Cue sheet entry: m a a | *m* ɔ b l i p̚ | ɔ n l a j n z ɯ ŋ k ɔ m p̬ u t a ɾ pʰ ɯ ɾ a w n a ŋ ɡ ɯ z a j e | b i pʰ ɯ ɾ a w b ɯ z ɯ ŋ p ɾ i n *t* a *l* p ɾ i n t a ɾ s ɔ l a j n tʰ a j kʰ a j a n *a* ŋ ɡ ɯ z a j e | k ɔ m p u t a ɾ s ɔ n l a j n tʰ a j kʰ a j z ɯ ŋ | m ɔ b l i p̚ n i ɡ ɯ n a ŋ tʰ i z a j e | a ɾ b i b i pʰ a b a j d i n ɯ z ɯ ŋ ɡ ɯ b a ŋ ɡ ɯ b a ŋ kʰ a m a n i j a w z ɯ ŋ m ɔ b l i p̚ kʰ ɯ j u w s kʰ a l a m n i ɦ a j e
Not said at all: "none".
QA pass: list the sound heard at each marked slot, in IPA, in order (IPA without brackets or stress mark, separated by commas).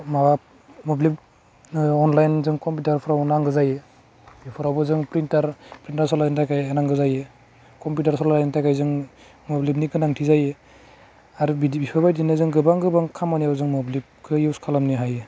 m, t, ɾ, a